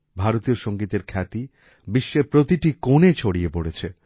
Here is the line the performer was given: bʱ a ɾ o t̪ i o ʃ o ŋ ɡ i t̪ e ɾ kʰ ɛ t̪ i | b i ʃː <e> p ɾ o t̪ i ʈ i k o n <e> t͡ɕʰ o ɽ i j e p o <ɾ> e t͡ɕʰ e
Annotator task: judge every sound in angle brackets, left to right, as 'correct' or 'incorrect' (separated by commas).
correct, correct, incorrect